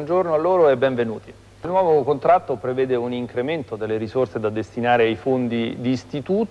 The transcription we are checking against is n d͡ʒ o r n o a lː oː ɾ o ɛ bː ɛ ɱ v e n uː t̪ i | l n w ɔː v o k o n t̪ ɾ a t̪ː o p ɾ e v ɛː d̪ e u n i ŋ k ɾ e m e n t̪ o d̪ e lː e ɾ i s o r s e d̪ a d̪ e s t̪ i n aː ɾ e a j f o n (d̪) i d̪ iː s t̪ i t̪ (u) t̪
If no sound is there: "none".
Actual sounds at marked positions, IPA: d̪, uː

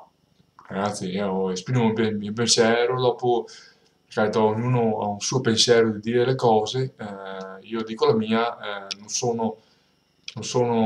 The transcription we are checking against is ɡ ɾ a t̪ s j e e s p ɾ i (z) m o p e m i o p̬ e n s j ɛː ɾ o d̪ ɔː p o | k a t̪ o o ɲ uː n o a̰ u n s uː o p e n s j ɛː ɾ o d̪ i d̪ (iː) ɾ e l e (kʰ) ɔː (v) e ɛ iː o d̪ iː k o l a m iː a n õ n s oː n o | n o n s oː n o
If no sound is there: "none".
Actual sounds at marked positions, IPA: none, iː, k, z

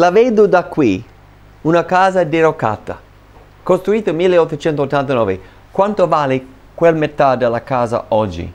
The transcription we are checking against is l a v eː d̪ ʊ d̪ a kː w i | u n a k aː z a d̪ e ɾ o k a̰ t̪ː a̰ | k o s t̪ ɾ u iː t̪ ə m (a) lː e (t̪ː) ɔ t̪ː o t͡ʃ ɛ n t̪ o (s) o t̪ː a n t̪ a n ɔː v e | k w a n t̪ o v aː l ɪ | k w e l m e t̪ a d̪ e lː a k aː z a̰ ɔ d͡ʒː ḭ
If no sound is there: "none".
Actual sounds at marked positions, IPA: i, none, none

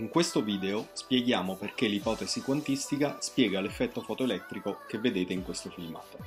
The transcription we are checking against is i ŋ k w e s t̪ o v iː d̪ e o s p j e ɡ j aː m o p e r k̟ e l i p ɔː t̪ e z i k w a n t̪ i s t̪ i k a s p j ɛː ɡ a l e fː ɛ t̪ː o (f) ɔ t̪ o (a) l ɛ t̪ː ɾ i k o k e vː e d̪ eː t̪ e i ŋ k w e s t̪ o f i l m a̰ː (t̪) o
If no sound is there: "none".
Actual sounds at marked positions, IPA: f, e, t̪

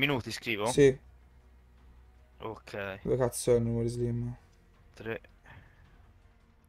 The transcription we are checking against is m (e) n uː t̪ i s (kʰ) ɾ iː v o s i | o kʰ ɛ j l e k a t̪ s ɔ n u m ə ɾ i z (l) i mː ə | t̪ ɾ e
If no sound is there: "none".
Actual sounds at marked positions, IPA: i, k, l

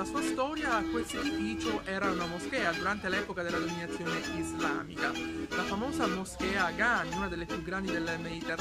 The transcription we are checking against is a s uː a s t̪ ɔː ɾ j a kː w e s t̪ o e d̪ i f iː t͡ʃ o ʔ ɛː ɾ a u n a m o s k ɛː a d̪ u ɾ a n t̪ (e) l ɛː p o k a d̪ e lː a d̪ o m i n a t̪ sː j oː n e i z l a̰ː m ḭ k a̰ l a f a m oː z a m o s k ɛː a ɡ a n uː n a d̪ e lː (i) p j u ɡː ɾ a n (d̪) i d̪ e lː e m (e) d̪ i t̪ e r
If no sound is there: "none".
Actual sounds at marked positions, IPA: e, e, d̪, e

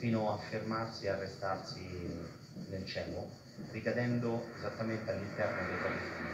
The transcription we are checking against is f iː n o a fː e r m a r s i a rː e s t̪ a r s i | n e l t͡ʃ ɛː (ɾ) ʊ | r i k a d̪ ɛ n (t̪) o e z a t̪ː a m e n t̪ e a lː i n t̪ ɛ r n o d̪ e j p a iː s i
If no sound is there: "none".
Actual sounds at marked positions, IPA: l, d̪

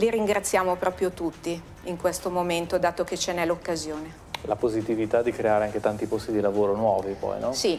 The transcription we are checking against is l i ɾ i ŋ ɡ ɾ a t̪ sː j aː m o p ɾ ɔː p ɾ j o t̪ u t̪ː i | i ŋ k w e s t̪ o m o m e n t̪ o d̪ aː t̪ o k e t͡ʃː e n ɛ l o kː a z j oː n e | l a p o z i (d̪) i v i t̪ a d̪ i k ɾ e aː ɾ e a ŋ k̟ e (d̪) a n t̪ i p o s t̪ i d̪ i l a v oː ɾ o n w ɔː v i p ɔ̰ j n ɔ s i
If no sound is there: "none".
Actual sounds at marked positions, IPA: t̪, t̪

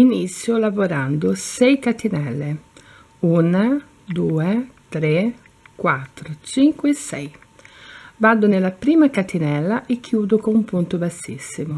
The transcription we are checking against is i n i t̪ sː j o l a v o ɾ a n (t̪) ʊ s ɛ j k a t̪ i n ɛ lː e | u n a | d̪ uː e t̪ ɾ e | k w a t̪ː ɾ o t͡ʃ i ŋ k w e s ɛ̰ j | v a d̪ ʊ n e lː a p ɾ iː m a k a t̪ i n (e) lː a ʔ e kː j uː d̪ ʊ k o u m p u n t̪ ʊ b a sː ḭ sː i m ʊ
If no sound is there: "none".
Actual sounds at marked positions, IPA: d̪, ɛ

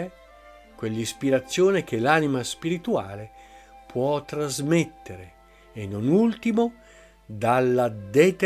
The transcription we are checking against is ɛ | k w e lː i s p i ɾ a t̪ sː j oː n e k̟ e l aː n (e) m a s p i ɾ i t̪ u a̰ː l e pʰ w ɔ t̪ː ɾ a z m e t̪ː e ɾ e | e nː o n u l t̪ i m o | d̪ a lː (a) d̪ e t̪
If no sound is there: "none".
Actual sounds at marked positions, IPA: i, a

